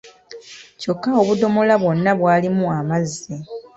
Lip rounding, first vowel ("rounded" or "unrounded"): rounded